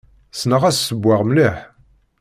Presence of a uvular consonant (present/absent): present